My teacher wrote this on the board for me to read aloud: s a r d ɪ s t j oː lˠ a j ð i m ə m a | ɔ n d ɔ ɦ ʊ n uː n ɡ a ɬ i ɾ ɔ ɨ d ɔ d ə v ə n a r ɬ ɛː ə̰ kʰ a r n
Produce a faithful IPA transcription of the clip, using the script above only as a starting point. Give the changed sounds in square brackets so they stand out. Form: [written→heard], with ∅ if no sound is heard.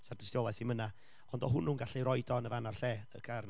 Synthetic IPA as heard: s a r d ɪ s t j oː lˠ a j [ð→θ] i m ə [m→n] a | ɔ n d ɔ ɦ ʊ n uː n ɡ a ɬ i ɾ ɔ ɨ d ɔ [d→n] ə v [ə→a] n a r ɬ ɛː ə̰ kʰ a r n

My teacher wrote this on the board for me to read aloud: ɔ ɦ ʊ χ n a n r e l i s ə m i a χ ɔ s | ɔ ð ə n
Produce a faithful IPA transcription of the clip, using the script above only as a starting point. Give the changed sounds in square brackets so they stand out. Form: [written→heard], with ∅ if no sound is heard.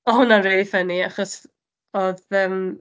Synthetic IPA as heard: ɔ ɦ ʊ [χ→∅] n a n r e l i [s→f] ə [m→n] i a χ ɔ s | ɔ ð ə [n→m]

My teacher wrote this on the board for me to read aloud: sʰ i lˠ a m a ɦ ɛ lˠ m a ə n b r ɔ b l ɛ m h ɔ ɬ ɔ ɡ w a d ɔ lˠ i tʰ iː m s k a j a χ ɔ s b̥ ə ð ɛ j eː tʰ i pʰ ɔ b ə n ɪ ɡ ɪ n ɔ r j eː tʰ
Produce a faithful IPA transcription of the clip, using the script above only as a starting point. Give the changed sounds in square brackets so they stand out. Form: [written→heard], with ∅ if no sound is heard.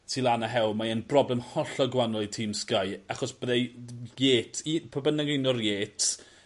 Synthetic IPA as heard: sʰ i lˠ a [m→n] a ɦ ɛ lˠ m a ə n b r ɔ b l ɛ m h ɔ ɬ ɔ ɡ w a [d→n] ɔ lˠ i tʰ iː m s k a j a χ ɔ s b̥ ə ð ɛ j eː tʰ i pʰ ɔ b ə n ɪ ɡ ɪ n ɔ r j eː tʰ

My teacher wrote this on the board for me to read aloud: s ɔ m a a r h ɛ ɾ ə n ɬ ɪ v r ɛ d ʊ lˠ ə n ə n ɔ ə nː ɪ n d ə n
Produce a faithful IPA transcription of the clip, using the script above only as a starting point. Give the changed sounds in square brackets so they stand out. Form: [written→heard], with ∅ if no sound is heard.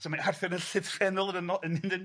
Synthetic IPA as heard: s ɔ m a a r [h→θ] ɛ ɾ ə n ɬ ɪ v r ɛ [d→n] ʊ lˠ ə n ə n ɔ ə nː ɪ n d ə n

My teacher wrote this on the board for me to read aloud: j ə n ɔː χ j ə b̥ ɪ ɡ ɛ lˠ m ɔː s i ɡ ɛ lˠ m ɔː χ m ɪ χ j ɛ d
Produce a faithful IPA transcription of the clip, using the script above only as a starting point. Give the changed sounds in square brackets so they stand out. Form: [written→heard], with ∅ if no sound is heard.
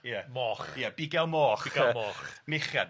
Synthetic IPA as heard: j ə [n→m] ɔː χ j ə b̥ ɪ ɡ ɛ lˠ m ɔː [s→χ] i ɡ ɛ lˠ m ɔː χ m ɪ χ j [ɛ→a] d

